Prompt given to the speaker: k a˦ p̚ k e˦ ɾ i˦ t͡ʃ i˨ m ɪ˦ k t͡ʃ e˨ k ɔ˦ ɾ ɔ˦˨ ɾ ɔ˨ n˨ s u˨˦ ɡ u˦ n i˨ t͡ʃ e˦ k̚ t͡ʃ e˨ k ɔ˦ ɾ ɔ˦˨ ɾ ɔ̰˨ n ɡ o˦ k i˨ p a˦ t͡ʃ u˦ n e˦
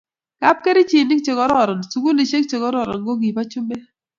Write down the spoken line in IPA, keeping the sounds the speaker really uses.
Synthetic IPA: k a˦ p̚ k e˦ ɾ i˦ t͡ʃ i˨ n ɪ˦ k t͡ʃ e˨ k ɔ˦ ɾ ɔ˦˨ ɾ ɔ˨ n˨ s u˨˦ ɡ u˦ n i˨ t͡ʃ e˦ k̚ t͡ʃ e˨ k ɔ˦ ɾ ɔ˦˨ ɾ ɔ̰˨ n ɡ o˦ ɡ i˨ p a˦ t͡ʃ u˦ m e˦